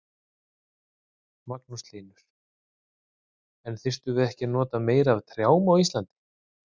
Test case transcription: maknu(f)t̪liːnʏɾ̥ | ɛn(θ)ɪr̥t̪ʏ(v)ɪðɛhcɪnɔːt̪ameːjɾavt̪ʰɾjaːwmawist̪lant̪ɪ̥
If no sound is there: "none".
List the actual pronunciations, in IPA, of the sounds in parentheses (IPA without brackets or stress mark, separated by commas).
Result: s, θ, v